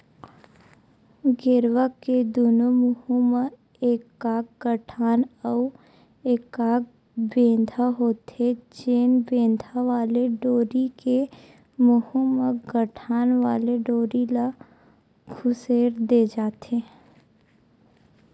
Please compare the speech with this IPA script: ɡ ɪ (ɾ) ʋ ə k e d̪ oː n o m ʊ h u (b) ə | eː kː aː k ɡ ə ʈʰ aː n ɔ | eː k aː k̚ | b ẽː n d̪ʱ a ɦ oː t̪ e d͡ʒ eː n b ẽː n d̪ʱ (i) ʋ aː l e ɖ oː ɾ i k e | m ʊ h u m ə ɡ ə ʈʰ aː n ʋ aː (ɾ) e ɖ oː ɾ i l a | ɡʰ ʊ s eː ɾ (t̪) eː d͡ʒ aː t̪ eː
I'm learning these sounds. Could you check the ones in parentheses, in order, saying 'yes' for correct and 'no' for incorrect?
yes, no, no, no, no

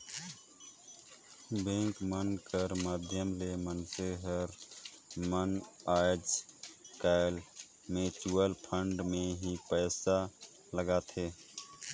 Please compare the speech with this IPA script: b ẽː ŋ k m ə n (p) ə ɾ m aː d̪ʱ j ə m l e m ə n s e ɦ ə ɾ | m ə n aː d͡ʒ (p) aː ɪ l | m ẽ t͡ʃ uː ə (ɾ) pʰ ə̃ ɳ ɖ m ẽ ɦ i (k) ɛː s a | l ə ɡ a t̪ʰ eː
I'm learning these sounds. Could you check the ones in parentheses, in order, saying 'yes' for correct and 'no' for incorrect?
no, no, no, no

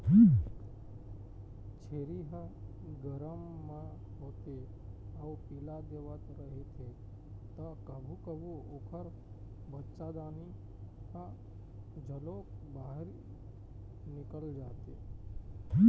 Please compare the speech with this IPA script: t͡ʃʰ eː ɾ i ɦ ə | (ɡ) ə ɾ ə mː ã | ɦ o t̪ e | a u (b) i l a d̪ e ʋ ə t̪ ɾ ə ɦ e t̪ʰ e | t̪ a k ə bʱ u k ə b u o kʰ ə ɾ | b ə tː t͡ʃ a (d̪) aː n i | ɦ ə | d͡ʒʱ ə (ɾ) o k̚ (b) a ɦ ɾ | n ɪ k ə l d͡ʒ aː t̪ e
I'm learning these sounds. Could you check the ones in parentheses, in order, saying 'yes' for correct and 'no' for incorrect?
yes, no, yes, no, yes

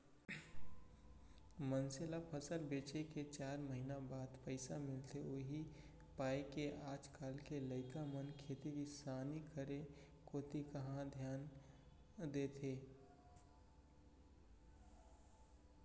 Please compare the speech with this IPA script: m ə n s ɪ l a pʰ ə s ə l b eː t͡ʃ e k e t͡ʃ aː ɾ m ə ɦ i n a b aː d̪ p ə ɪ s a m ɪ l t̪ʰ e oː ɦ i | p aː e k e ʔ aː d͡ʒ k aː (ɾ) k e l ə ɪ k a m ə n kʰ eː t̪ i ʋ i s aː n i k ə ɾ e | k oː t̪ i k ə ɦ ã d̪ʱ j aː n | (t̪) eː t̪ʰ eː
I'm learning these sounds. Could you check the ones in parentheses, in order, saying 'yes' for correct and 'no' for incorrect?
no, no

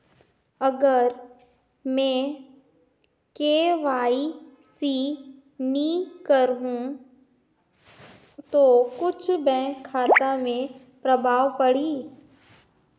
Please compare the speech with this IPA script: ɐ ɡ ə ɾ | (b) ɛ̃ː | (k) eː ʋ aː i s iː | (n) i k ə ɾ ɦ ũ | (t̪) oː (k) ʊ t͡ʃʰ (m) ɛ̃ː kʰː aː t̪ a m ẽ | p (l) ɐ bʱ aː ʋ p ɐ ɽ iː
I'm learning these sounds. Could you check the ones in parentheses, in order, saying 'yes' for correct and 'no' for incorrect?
no, yes, yes, yes, yes, no, no

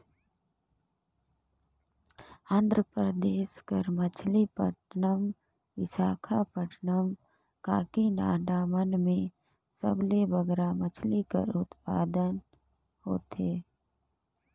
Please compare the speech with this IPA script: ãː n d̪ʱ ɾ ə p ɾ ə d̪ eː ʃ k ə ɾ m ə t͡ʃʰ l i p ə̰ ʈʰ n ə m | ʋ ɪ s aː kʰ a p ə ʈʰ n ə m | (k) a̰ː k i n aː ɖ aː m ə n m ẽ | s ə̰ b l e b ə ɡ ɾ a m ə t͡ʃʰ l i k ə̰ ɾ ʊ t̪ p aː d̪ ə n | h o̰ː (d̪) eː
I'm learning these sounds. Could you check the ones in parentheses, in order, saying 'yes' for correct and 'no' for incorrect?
yes, no

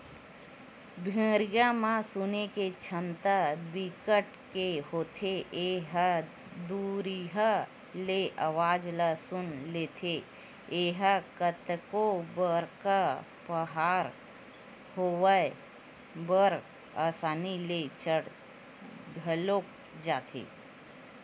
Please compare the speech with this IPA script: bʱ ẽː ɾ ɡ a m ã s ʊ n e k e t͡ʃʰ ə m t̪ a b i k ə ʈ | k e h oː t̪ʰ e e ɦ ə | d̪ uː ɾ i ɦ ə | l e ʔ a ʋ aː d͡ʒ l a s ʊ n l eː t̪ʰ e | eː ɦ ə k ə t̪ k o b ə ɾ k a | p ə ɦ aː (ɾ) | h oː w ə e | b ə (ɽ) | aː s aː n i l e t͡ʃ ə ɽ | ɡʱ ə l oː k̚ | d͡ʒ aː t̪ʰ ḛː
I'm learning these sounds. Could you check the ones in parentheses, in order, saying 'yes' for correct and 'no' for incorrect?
yes, no

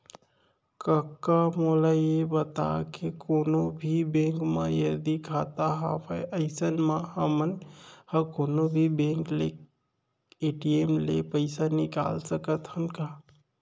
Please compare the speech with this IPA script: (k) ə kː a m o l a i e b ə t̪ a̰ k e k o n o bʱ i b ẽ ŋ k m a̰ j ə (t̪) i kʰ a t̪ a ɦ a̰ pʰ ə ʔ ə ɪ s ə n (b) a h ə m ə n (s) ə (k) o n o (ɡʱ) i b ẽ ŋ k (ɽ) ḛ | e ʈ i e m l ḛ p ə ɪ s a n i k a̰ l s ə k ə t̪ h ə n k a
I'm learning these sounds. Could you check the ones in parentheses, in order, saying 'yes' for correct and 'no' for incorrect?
yes, no, no, no, yes, no, no

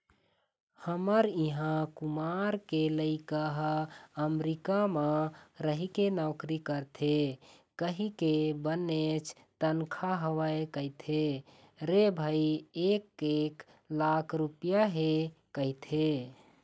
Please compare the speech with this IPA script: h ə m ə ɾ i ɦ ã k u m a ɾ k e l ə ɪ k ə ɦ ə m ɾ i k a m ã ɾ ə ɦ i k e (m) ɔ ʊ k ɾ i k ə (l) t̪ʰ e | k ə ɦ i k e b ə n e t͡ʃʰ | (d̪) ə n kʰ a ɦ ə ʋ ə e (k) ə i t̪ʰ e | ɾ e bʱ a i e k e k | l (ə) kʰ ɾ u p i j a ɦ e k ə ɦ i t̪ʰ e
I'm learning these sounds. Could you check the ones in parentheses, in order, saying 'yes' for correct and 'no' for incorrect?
no, no, no, yes, no

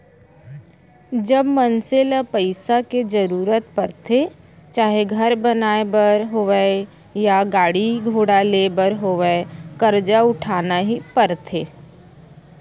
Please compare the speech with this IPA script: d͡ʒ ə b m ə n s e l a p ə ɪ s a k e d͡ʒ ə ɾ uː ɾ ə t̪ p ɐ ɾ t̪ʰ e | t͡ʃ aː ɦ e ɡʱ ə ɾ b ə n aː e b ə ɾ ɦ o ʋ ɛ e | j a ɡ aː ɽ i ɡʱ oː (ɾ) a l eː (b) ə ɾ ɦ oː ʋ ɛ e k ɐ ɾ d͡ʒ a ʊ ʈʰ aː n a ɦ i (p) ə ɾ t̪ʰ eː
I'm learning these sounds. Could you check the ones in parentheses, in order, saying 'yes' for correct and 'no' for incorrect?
no, yes, yes

